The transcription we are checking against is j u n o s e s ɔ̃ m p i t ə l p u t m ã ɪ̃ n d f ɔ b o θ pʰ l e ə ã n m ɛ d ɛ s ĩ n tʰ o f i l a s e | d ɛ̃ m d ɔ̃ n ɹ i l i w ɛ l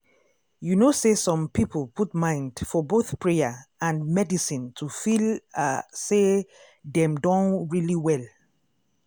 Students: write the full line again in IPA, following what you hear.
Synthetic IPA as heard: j u n o s e s ɔ̃ m p i p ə l p u t m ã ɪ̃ n d f ɔ b o θ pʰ ɹ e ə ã n m ɛ d i s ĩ n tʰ u f i l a s e | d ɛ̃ m d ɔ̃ n ɹ i l i w ɛ l